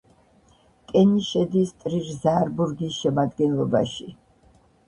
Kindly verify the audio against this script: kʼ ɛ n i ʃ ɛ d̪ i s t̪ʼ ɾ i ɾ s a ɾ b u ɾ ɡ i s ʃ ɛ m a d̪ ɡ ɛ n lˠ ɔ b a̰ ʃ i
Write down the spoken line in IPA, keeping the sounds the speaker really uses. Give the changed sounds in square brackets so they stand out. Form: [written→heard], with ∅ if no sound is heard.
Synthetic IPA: kʼ ɛ n i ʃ ɛ d̪ i s t̪ʼ ɾ i ɾ [s→z] a ɾ b u ɾ ɡ i s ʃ ɛ m a d̪ ɡ ɛ n lˠ ɔ b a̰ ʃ i